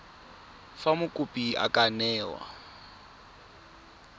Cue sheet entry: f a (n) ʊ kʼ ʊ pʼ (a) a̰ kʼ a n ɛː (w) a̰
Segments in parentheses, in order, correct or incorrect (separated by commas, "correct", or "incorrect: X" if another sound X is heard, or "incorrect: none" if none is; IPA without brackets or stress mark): incorrect: m, incorrect: i, correct